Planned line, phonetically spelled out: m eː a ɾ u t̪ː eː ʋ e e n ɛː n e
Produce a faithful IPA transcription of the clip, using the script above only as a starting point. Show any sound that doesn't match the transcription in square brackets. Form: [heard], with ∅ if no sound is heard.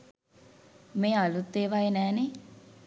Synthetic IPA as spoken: m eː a [l] u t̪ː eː ʋ [a] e n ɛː n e